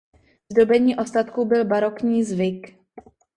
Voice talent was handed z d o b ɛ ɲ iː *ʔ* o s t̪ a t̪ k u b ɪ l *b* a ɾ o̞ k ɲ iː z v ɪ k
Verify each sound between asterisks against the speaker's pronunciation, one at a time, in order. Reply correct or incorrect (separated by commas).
correct, correct